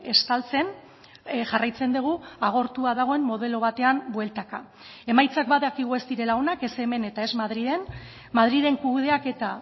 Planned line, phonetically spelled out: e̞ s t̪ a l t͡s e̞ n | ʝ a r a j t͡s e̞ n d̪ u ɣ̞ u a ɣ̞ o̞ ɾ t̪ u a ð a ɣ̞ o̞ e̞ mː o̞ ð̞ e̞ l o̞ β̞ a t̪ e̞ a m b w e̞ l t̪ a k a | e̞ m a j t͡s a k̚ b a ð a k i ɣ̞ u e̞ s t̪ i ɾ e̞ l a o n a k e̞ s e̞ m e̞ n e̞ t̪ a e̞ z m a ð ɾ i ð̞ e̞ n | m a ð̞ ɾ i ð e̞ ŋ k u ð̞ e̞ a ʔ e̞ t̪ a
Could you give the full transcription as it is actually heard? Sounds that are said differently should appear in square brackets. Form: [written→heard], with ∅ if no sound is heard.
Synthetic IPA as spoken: e̞ s t̪ a l t͡s e̞ n | ʝ a r a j t͡s e̞ n d̪ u ɣ̞ u a ɣ̞ o̞ ɾ t̪ u a ð a ɣ̞ o̞ e̞ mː o̞ ð̞ e̞ l o̞ β̞ a t̪ e̞ a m b w e̞ l t̪ a k a | e̞ m a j t͡s a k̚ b a ð a k i ɣ̞ u e̞ s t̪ i ɾ e̞ l a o n a k e̞ s e̞ m e̞ n e̞ t̪ a e̞ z m a ð ɾ i ð̞ e̞ n | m a ð̞ ɾ i ð e̞ ŋ k u ð̞ e̞ a [ʔ→k] e̞ t̪ a